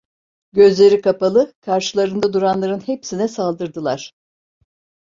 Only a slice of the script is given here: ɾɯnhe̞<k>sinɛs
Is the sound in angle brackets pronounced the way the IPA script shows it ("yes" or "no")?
no